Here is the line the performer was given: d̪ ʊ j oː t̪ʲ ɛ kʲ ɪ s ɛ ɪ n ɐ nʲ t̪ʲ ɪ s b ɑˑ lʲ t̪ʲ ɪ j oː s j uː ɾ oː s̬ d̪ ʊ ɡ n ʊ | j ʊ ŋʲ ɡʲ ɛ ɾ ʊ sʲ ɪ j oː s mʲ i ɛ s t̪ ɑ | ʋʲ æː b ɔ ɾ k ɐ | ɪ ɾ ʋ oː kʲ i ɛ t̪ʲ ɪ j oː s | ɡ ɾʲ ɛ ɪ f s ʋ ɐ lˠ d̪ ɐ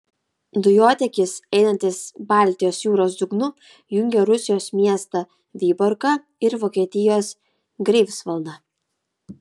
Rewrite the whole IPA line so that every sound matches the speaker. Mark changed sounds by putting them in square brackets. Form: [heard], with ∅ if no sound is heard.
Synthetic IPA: d̪ ʊ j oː t̪ʲ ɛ kʲ ɪ s ɛ ɪ n ɐ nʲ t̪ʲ ɪ s b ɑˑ lʲ t̪ʲ ɪ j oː s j uː ɾ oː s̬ d̪ ʊ ɡ n ʊ | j ʊ ŋʲ ɡʲ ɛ ɾ ʊ sʲ ɪ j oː s mʲ i ɛ s t̪ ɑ | ʋʲ [iː] b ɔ ɾ k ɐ | ɪ ɾ ʋ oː kʲ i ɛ t̪ʲ ɪ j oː s | ɡ ɾʲ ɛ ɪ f s ʋ ɐ lˠ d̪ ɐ